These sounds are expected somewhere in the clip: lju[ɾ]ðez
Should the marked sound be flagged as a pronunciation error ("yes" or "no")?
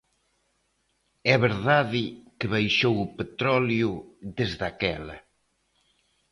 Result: yes